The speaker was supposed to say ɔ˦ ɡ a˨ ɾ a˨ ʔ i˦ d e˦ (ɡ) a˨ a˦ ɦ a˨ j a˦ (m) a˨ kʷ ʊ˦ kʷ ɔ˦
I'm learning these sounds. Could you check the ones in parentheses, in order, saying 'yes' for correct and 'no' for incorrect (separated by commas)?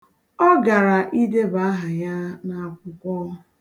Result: no, no